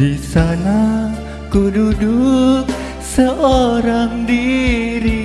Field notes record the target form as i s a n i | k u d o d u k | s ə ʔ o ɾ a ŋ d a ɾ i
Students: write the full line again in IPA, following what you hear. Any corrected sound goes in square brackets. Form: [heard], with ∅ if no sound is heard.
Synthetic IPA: i s a n [a] | k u d [u] d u k | s ə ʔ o ɾ a ŋ d [i] ɾ i